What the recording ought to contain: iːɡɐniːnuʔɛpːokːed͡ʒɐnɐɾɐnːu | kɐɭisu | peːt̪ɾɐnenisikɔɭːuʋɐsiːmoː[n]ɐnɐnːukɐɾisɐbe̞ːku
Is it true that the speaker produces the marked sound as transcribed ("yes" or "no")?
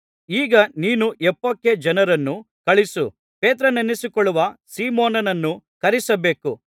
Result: yes